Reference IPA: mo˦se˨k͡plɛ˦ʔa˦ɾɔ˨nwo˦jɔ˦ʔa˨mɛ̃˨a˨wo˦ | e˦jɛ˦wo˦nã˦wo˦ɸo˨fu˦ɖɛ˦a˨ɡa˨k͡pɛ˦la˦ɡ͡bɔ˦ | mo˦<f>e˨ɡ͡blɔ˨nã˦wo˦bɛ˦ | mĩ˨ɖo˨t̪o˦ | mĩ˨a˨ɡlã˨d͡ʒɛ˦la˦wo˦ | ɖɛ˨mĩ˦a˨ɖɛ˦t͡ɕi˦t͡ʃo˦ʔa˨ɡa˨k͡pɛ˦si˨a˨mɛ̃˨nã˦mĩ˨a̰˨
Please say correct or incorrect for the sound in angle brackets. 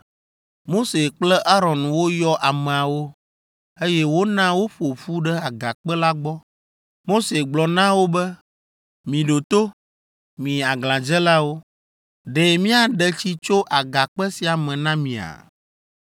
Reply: incorrect: s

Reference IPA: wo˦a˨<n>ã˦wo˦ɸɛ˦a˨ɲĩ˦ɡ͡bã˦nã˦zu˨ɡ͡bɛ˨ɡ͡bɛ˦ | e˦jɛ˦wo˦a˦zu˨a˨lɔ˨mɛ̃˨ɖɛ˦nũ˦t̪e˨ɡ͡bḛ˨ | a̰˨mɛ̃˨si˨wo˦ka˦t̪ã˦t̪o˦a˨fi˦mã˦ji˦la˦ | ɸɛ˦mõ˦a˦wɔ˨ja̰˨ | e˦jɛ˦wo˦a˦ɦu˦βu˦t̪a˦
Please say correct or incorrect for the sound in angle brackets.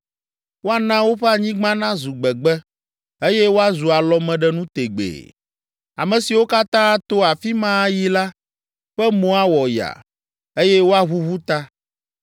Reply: correct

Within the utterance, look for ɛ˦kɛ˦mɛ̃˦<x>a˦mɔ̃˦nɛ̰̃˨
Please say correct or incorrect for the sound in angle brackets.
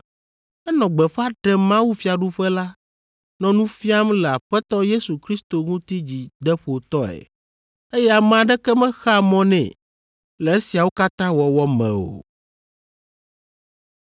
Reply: correct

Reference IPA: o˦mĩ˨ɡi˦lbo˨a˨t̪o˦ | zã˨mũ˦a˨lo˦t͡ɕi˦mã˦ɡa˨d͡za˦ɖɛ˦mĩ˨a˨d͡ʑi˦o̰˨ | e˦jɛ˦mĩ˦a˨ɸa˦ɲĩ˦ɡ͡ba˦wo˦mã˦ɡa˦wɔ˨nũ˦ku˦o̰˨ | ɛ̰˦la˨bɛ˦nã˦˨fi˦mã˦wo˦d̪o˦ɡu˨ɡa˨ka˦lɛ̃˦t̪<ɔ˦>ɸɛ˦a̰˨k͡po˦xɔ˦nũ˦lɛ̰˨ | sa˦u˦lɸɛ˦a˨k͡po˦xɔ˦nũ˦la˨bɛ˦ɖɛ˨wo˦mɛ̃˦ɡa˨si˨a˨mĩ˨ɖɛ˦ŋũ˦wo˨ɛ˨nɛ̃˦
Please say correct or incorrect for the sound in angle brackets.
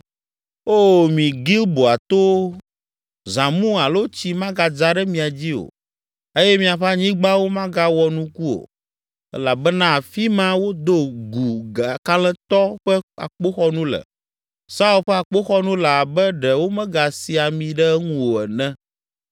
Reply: correct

